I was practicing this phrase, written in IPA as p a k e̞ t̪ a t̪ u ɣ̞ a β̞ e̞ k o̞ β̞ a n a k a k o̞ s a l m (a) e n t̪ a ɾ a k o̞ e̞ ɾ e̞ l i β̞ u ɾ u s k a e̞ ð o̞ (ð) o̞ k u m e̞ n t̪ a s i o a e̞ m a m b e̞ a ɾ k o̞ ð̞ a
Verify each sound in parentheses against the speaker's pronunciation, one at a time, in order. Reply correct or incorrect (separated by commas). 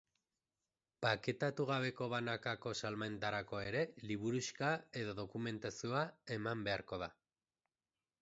correct, correct